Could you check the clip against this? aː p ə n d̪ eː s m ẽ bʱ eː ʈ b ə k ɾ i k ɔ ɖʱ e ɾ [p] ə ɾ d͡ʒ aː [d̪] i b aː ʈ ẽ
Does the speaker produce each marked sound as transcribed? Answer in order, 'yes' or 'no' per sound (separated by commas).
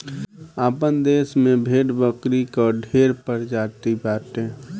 yes, no